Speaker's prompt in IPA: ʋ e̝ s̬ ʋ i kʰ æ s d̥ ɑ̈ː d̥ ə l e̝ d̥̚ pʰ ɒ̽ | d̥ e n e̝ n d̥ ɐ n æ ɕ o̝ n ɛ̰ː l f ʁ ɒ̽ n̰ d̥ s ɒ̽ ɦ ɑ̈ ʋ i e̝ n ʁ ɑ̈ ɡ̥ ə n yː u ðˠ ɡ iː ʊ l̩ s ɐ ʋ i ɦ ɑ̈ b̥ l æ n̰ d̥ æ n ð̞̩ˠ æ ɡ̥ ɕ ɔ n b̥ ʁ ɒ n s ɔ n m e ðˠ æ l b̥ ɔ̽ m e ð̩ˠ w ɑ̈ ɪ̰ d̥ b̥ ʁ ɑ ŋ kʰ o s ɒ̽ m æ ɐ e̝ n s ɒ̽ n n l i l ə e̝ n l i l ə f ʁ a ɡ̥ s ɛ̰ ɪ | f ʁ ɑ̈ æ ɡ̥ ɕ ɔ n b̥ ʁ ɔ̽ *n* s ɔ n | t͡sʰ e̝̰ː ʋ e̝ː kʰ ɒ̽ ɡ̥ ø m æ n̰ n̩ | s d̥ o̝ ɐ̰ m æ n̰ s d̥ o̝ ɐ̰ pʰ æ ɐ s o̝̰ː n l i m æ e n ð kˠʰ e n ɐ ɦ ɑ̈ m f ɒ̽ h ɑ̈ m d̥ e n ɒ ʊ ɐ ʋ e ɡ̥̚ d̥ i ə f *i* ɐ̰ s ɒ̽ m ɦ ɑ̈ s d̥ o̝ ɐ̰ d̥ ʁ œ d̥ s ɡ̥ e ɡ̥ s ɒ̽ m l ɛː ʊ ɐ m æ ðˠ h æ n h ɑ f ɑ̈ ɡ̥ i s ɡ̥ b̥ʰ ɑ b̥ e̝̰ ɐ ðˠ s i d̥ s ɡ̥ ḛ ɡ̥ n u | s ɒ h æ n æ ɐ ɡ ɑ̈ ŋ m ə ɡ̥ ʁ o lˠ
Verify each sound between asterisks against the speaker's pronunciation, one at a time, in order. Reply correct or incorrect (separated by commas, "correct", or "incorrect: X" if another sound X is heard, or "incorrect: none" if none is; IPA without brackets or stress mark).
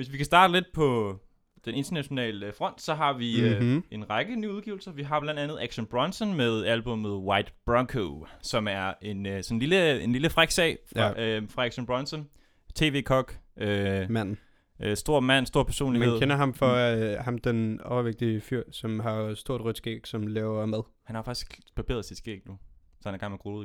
correct, incorrect: y